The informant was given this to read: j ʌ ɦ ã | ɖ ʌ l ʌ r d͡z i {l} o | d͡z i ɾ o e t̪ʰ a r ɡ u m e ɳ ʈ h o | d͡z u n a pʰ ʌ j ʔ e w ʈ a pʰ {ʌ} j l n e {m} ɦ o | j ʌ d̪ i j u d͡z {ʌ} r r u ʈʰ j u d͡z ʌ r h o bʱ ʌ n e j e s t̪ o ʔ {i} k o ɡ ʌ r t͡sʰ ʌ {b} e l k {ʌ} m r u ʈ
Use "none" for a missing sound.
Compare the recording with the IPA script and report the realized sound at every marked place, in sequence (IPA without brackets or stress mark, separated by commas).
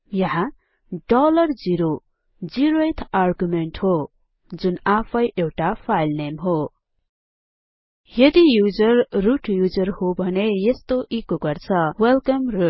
ɾ, a, m, ʌ, i, w, ʌ